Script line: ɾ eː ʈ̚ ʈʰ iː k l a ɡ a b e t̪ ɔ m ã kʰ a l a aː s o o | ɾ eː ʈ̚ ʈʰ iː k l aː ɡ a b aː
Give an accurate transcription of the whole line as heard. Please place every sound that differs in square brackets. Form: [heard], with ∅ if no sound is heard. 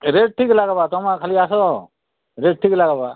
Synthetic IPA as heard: ɾ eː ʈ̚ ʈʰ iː k l a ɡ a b [a] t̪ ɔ m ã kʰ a l [i] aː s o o | ɾ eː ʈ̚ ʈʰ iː k l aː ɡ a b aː